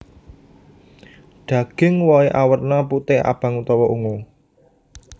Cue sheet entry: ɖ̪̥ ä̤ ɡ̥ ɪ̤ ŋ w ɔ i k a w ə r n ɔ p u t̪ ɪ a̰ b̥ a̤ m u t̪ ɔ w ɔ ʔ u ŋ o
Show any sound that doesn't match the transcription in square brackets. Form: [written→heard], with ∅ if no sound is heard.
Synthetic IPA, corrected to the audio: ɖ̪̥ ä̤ ɡ̥ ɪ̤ ŋ w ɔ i [k→ʔ] a w ə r n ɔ p u t̪ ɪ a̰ b̥ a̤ [m→ŋ] u t̪ ɔ w ɔ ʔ u ŋ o